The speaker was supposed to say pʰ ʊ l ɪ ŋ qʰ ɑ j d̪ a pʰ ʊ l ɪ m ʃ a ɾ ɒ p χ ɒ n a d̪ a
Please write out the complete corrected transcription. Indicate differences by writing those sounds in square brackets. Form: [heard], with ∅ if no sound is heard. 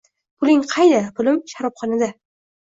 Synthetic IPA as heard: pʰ ʊ l ɪ ŋ qʰ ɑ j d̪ a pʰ ʊ l ɪ m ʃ a ɾ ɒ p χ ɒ n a d̪ a